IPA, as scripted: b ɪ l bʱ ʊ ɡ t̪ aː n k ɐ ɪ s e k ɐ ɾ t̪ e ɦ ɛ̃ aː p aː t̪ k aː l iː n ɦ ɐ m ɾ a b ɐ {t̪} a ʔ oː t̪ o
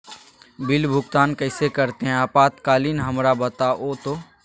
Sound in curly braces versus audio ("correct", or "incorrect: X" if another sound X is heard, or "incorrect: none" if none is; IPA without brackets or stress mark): correct